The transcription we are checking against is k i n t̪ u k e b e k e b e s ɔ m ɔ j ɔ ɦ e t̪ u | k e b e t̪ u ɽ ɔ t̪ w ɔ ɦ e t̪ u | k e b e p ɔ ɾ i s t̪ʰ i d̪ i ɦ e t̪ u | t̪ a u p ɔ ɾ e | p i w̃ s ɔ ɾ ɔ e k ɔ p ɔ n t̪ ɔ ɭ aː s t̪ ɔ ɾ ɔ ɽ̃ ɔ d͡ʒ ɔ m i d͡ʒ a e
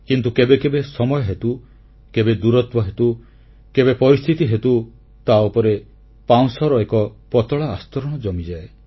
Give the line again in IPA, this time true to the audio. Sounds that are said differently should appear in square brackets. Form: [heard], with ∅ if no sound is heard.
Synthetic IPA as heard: k i n t̪ u k e b e k e b e s ɔ m ɔ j ɔ ɦ e t̪ u | k e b e [d̪] u [ɾ] ɔ t̪ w ɔ ɦ e t̪ u | k e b e p ɔ ɾ i s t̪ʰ i [t̪] i ɦ e t̪ u | t̪ a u p ɔ ɾ e | p [a] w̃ s ɔ ɾ ɔ e k ɔ p ɔ [∅] t̪ ɔ ɭ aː s t̪ ɔ ɾ ɔ ɽ̃ ɔ d͡ʒ ɔ m i d͡ʒ a e